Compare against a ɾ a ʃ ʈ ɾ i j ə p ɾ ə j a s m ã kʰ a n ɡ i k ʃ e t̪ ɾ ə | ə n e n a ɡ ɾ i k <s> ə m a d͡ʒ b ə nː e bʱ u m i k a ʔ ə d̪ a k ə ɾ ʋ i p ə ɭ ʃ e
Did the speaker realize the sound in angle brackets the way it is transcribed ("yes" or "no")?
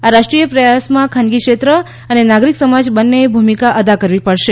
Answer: yes